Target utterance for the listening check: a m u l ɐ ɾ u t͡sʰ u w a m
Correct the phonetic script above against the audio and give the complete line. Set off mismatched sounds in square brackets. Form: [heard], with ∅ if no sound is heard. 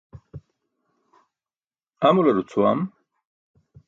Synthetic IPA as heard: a m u l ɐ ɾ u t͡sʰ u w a m

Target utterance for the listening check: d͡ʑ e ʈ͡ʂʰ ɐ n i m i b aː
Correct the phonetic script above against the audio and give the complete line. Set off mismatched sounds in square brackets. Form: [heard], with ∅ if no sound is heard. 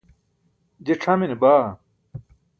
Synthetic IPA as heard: d͡ʑ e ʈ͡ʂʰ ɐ [m] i [n] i b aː

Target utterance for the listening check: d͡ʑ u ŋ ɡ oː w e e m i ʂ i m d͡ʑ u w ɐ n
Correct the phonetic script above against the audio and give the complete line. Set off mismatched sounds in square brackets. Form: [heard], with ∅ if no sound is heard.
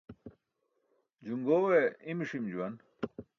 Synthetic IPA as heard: d͡ʑ u ŋ ɡ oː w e [i] m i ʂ i m d͡ʑ u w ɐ n

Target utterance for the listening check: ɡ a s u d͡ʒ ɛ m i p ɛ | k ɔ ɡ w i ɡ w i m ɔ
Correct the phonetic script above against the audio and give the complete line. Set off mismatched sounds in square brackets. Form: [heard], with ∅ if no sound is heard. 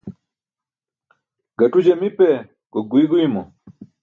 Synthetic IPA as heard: ɡ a [t] u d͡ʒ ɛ m i p ɛ | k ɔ ɡ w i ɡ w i m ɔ

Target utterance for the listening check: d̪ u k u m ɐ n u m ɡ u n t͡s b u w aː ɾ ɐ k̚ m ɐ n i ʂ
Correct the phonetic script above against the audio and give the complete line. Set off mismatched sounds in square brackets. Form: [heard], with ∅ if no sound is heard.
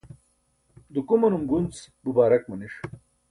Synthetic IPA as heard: d̪ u k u m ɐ n u m ɡ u n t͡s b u [b] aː ɾ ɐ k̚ m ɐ n i ʂ

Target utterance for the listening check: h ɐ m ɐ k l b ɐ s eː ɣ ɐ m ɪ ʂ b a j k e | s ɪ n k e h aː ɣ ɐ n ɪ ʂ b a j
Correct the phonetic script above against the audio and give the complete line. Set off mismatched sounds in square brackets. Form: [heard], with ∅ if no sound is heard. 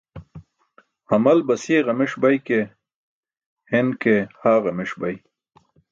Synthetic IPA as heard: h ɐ m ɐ [∅] l b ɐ s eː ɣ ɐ m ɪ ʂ b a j k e | [h] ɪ n k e h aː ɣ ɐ [m] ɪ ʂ b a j

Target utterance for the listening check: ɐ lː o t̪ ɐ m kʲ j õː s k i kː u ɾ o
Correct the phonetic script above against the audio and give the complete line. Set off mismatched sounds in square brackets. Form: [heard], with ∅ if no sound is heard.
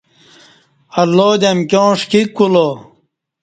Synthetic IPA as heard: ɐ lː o [d̪] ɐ m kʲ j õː [ʂ] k i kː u [l] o

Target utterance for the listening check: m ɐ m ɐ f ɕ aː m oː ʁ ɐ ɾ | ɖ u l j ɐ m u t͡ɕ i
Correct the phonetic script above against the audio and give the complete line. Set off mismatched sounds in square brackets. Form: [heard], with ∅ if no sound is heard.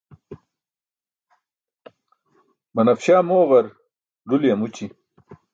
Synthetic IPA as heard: m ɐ [n] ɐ f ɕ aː m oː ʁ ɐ ɾ | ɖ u l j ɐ m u t͡ɕ i

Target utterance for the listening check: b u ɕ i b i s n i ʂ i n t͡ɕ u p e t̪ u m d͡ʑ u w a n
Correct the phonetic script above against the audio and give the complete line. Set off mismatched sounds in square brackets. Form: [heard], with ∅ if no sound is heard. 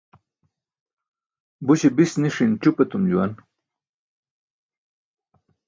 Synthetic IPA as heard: b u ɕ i b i s n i ʂ i n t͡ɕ u p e t̪ u m d͡ʑ u w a n

